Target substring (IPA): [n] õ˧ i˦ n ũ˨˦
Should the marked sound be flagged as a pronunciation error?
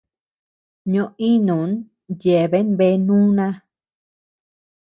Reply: yes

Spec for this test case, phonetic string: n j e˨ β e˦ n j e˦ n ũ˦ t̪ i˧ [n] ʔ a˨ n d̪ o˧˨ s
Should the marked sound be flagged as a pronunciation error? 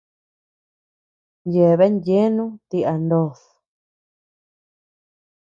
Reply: yes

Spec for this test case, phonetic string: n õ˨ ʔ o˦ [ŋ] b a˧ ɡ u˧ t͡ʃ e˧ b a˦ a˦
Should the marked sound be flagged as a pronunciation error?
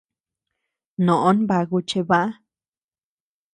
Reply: yes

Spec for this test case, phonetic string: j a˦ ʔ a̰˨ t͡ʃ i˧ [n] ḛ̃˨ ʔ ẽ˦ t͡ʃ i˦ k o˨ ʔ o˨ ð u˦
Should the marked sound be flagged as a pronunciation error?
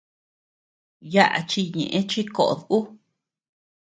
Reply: yes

